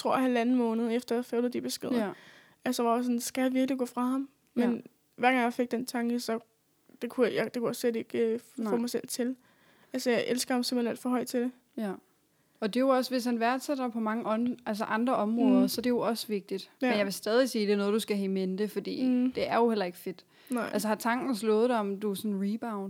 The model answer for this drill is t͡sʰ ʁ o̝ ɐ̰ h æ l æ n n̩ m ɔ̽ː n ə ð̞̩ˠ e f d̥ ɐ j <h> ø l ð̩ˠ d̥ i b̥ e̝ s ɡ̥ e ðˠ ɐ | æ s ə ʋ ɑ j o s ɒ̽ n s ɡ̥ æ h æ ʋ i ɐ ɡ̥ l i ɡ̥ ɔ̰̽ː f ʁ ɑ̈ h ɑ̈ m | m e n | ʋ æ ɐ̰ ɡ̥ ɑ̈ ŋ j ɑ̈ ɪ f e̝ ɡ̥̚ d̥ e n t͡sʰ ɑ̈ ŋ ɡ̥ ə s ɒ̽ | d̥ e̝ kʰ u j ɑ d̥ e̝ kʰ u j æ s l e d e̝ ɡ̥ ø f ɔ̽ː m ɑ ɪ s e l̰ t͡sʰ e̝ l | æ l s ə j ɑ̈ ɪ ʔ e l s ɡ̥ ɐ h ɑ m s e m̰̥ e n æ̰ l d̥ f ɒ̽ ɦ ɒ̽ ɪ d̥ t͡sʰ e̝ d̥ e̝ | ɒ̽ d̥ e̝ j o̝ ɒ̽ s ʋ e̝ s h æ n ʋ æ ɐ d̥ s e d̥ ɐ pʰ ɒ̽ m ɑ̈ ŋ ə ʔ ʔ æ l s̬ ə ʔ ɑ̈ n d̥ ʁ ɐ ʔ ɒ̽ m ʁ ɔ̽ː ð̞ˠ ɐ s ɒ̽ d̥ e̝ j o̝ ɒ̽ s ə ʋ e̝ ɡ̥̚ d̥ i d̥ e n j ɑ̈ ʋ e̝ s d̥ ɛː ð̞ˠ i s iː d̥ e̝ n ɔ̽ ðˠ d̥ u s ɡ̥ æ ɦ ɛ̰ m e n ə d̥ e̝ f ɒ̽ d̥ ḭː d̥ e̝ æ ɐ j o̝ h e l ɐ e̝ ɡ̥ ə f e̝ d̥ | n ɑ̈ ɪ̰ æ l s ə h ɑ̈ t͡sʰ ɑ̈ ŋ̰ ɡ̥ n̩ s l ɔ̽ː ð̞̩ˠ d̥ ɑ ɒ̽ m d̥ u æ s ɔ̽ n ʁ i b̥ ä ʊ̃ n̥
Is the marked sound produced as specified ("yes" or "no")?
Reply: no